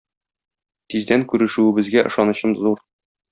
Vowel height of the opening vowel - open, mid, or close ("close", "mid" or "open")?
close